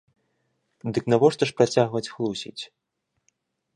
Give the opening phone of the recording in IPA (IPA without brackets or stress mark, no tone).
d̪